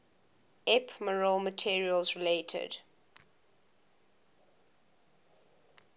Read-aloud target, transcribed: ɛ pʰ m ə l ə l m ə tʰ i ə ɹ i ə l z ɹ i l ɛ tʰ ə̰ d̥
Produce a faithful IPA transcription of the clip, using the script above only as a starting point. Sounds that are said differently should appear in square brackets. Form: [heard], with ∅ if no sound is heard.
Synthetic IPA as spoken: ɛ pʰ m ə [ɹ] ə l m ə tʰ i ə ɹ i ə l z ɹ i l [e] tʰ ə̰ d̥